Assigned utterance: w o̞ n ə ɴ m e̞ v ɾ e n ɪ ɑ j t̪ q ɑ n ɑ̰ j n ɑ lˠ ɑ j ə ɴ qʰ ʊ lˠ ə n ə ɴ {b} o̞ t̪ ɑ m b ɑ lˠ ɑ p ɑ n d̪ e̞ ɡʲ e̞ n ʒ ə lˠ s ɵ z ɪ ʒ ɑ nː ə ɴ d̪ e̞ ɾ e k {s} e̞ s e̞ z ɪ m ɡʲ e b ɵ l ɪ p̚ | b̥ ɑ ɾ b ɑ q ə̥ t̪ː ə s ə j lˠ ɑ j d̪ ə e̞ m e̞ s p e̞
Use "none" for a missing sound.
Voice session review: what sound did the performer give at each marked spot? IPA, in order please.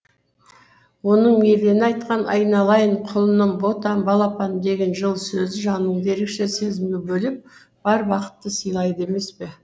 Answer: b, ʃ

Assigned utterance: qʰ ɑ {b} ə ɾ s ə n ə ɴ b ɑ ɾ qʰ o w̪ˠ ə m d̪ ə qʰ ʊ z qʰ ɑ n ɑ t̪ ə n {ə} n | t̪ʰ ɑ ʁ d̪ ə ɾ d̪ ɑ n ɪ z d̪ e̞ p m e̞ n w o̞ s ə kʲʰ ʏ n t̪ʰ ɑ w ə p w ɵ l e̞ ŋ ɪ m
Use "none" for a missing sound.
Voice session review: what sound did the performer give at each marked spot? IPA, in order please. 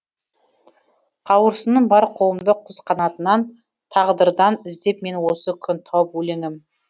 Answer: w, ɑ

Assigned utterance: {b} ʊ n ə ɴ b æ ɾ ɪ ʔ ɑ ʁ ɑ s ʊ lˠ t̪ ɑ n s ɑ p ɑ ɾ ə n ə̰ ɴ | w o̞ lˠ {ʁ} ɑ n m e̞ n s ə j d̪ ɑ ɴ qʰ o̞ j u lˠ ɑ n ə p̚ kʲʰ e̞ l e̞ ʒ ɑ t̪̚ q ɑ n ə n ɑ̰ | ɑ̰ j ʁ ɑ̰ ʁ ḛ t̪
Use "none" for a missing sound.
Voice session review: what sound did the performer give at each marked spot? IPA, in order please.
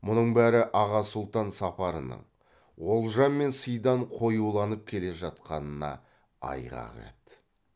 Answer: m, ʒ

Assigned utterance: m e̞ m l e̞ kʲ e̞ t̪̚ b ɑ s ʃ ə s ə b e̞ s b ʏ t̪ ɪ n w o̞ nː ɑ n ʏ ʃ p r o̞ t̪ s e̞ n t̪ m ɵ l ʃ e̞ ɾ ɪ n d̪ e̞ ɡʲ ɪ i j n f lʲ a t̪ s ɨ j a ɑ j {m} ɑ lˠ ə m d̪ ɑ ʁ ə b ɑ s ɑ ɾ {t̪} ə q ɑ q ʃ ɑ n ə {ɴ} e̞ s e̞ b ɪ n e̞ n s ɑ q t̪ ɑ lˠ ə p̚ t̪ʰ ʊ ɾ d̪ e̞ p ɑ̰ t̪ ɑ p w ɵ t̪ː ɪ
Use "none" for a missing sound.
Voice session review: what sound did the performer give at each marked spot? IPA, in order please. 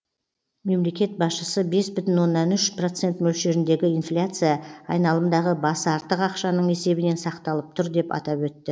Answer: n, t̪, ɴ

